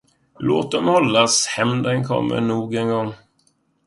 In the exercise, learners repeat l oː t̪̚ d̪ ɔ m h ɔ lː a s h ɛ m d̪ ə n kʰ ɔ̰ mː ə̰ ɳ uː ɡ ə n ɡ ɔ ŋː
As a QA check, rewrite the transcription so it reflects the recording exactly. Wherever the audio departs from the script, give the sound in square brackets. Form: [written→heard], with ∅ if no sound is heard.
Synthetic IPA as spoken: l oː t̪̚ d̪ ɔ m h ɔ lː a s h ɛ m d̪ ə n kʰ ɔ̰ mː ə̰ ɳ uː ɡ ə n ɡ ɔ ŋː

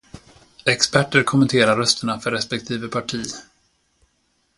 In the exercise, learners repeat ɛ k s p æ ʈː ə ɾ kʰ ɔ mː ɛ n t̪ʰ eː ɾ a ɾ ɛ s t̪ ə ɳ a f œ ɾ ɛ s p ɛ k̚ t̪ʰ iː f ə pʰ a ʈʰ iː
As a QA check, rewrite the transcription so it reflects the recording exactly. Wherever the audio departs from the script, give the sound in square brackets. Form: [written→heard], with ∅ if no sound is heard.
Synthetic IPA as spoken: ɛ k s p æ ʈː ə ɾ kʰ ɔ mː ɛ n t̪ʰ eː ɾ a ɾ [ɛ→œ] s t̪ ə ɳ a f œ ɾ ɛ s p ɛ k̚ t̪ʰ iː [f→v] ə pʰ a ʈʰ iː

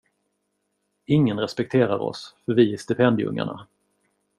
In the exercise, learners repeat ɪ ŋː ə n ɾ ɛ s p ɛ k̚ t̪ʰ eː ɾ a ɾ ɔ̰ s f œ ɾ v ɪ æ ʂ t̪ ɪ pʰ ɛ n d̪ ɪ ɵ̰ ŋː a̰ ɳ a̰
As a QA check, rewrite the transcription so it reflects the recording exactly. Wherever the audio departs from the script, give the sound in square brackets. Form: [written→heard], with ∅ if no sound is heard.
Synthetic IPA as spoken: ɪ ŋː ə n ɾ ɛ s p ɛ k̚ t̪ʰ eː ɾ a ɾ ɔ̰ s f œ ɾ v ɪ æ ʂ t̪ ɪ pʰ ɛ n d̪ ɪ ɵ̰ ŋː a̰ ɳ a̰

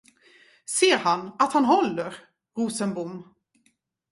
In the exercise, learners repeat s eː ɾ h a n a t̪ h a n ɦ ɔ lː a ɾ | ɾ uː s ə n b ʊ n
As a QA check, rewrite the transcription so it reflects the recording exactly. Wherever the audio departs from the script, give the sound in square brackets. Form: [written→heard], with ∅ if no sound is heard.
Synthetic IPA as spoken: s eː ɾ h a n a t̪ h a n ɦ ɔ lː [a→ə] ɾ | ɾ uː s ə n b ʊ [n→m]

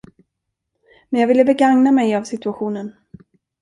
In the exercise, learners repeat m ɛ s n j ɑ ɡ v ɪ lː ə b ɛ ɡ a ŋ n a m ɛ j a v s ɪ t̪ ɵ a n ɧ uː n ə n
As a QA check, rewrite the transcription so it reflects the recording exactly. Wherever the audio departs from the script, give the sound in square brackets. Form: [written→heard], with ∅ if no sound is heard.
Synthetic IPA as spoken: m ɛ [s→∅] n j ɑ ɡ v ɪ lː ə b ɛ ɡ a ŋ n a m ɛ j a v s ɪ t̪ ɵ a [n→∅] ɧ uː n ə n

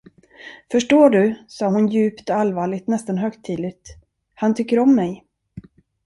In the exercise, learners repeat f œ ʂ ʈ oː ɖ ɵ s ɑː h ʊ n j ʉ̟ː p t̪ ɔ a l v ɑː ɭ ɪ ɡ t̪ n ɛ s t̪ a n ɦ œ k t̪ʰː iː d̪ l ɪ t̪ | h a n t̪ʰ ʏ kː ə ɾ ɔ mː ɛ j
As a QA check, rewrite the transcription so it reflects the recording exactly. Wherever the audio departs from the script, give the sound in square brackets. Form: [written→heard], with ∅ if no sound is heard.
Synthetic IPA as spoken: f œ ʂ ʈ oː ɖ ɵ s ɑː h ʊ n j ʉ̟ː p t̪ ɔ a l v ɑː ɭ ɪ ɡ t̪ n ɛ s t̪ a n ɦ œ k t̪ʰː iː d̪ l ɪ t̪ | h a n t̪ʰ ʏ kː ə ɾ ɔ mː ɛ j

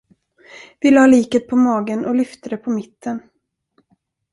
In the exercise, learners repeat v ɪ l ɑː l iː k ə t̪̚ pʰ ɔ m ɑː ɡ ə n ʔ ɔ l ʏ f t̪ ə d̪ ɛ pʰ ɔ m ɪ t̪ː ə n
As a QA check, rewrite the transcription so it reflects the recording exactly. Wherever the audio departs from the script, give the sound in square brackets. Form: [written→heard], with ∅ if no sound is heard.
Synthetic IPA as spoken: v ɪ l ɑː l iː k ə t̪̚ pʰ ɔ m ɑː ɡ ə n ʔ ɔ l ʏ f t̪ ə d̪ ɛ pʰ ɔ m ɪ t̪ː ə n

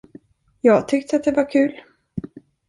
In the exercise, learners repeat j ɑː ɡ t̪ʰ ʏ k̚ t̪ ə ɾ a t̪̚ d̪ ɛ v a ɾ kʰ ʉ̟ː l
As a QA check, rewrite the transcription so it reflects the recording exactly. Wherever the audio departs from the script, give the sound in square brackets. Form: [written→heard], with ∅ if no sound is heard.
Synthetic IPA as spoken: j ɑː ɡ t̪ʰ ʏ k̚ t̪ ə [ɾ→∅] a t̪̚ d̪ ɛ v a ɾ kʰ ʉ̟ː l

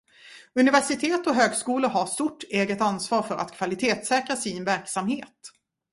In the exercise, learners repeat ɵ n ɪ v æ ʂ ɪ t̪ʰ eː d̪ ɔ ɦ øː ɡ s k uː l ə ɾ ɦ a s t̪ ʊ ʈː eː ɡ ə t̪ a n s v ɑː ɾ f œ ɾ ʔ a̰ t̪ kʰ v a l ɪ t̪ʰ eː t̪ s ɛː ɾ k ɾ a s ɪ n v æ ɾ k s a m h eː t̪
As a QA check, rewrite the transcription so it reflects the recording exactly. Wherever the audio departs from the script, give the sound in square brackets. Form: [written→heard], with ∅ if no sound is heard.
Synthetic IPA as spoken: ɵ n ɪ v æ ʂ ɪ t̪ʰ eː [d̪→t̪] ɔ ɦ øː ɡ s k uː l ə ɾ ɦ a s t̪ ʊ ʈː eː ɡ ə t̪ a n s v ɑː ɾ f œ ɾ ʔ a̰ t̪ kʰ v a l ɪ t̪ʰ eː t̪ s ɛː [ɾ→∅] k ɾ a s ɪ n v æ ɾ k s a m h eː t̪

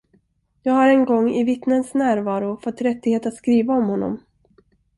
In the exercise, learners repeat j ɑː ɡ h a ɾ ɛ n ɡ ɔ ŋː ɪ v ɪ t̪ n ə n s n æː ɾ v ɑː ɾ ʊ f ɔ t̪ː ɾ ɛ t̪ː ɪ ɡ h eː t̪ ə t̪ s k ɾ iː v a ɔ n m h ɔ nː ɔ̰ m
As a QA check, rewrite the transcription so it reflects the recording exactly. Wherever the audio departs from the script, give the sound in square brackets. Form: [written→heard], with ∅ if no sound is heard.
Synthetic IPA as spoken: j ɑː ɡ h a ɾ ɛ n ɡ ɔ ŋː ɪ v ɪ t̪ n ə n s n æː ɾ v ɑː ɾ ʊ f ɔ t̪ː ɾ ɛ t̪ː ɪ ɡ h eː t̪ [ə→a] t̪ s k ɾ iː v a ɔ [n→∅] m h ɔ nː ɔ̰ m

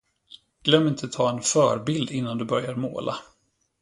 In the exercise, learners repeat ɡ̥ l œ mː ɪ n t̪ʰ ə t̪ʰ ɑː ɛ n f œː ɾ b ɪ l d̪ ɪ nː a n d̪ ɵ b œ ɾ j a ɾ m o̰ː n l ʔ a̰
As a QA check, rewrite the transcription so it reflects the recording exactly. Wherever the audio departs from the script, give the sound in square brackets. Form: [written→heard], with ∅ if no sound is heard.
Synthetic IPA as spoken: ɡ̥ l œ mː ɪ n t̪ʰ ə t̪ʰ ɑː ɛ n f œː ɾ b ɪ l d̪ ɪ nː a n d̪ ɵ b œ ɾ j a ɾ m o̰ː [n→∅] l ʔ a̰

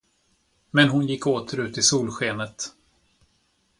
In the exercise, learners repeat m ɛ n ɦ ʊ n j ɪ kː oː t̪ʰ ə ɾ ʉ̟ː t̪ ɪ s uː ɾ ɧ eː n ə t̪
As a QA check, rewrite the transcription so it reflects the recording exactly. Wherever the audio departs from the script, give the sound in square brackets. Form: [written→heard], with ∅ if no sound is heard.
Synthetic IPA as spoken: m ɛ n ɦ ʊ n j ɪ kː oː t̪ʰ ə ɾ ʉ̟ː t̪ ɪ s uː [ɾ→l] ɧ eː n ə t̪

